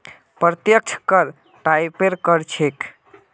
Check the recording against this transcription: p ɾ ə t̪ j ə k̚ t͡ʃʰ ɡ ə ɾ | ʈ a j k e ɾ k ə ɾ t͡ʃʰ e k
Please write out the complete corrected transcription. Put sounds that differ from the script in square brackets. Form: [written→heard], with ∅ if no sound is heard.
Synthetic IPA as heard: p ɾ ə t̪ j ə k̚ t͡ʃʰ [ɡ→k] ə ɾ | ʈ a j [k→p] e ɾ k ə ɾ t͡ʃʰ e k